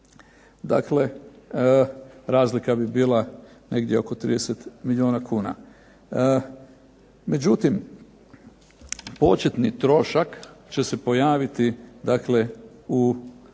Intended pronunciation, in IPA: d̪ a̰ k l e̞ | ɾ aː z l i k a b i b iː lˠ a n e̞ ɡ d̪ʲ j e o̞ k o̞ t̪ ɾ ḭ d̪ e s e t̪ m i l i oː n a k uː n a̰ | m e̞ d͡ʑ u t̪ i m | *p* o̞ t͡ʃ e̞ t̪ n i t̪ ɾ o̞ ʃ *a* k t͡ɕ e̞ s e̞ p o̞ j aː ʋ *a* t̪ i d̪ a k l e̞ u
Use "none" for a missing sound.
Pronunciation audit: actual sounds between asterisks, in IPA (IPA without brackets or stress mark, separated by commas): p, a, i